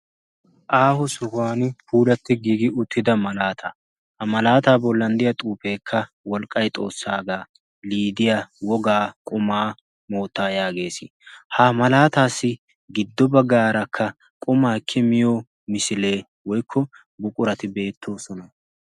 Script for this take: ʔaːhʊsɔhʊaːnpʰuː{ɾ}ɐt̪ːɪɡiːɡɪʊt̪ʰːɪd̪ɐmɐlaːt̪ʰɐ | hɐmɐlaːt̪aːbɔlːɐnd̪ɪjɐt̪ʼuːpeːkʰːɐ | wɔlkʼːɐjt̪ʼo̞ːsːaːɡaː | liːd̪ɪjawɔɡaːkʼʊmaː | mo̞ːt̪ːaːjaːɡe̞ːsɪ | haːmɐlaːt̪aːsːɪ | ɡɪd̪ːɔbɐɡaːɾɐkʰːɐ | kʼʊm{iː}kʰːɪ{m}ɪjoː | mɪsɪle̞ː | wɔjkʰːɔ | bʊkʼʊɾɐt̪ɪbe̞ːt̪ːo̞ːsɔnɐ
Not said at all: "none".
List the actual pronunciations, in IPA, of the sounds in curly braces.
l, aː, m

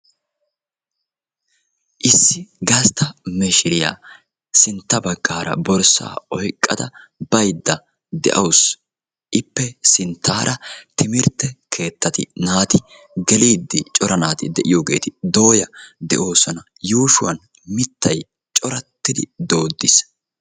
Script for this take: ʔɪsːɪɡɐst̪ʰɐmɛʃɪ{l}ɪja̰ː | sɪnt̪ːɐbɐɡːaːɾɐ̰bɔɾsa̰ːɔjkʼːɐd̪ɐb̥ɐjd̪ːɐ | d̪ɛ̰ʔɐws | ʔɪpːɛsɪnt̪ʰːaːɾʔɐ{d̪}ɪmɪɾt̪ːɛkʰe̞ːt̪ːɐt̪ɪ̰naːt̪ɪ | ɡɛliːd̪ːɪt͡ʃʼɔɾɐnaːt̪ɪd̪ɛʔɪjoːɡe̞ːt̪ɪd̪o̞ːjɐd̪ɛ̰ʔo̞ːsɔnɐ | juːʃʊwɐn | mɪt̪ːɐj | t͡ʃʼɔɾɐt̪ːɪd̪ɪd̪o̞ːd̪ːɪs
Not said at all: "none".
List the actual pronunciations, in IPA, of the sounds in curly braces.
ɾ, t̪

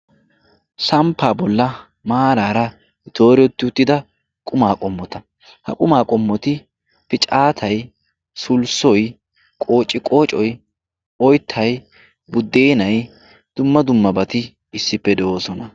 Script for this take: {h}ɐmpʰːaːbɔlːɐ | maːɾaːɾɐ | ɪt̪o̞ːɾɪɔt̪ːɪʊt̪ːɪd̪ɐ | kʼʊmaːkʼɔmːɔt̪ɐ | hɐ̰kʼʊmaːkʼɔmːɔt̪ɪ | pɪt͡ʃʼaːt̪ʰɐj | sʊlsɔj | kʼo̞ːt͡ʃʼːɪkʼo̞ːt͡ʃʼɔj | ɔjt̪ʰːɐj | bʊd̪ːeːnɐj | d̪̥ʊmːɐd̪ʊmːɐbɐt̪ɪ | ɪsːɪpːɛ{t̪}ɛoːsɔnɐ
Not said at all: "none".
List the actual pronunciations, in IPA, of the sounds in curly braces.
s, d̪

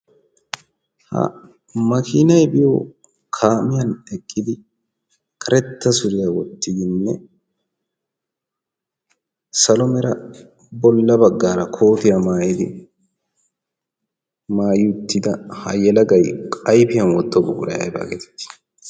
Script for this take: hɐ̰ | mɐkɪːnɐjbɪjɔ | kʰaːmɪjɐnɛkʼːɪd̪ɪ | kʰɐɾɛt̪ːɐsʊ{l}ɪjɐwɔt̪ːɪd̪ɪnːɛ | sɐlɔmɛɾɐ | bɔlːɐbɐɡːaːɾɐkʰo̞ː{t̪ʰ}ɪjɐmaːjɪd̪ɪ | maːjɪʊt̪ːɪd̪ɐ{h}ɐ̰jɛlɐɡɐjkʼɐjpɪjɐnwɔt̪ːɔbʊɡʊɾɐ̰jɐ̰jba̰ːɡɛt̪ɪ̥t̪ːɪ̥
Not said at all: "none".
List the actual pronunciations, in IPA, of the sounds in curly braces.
ɾ, t̪, h

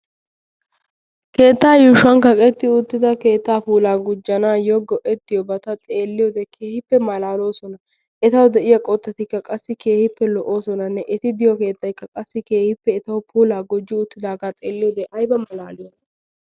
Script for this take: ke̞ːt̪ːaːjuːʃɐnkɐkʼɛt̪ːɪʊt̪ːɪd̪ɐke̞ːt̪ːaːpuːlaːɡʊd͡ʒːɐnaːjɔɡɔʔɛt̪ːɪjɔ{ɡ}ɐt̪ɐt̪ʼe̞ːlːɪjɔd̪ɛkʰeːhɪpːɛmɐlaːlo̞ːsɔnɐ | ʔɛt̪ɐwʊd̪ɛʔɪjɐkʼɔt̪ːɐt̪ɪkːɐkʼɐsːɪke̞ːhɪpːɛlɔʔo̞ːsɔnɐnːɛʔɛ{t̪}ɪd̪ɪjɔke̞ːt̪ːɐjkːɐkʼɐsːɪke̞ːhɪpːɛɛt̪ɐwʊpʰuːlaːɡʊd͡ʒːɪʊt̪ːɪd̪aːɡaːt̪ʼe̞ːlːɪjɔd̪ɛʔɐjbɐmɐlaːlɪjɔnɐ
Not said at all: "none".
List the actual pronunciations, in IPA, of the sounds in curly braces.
b, t̪

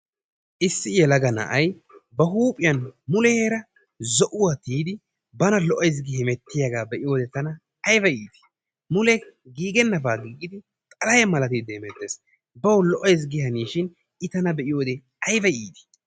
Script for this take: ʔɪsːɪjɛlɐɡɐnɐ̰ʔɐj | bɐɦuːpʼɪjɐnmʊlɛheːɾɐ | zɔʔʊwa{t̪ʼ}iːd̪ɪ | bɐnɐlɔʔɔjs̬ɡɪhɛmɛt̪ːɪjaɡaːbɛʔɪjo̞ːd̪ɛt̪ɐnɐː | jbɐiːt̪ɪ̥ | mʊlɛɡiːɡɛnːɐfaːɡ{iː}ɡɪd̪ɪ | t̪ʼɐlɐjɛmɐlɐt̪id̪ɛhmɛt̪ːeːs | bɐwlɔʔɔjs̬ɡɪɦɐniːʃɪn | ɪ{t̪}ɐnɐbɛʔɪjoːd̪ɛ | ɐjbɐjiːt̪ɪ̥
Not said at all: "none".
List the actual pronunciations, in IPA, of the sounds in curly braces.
t̪, iː, t̪

